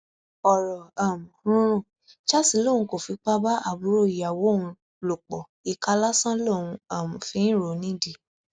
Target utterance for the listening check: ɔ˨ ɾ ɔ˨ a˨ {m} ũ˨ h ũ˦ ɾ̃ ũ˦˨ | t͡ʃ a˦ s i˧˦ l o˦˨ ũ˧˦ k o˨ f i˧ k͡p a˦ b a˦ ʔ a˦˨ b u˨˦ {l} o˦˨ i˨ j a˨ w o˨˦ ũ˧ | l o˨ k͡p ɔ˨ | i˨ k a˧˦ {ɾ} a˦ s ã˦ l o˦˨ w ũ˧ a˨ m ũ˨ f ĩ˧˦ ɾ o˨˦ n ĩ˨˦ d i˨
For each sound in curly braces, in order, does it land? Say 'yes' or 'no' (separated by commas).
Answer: yes, no, no